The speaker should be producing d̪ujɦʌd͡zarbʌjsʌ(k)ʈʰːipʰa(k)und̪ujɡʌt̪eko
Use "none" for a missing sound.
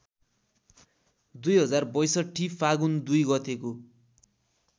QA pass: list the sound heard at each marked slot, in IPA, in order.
none, ɡ

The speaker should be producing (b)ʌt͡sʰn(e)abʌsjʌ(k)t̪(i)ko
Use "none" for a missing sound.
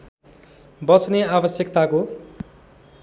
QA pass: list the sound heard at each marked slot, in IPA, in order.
b, e, k, a

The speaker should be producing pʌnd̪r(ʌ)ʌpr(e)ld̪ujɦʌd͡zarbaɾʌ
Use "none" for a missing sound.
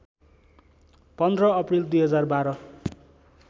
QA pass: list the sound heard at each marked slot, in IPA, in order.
ʌ, i

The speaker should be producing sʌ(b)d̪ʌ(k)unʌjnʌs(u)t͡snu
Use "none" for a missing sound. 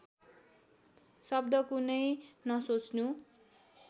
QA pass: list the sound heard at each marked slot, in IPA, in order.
b, k, o

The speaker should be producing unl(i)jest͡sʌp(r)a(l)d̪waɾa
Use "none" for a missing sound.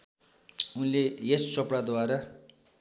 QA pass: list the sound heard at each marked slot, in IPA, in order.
e, ɽ, none

